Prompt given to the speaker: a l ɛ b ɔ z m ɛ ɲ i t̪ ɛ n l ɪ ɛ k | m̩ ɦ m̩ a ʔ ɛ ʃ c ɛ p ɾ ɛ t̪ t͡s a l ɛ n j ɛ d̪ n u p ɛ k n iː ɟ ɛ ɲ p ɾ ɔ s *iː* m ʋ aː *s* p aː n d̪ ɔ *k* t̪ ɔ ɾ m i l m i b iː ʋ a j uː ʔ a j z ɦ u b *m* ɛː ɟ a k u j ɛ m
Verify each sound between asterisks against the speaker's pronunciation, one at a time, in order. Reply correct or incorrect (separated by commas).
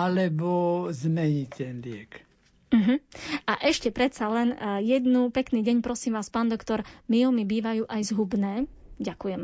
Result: correct, correct, correct, incorrect